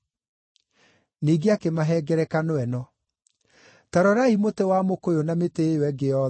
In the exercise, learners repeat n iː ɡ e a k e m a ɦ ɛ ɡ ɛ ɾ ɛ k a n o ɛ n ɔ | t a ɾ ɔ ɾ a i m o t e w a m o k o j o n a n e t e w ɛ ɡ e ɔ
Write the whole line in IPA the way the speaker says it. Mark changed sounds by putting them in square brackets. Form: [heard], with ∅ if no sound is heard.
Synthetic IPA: n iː ɡ e a k e m a ɦ ɛ ɡ ɛ ɾ ɛ k a n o ɛ n ɔ | t a ɾ ɔ ɾ a i m o t e w a m o k o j o n a [m] e t e w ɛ ɡ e ɔ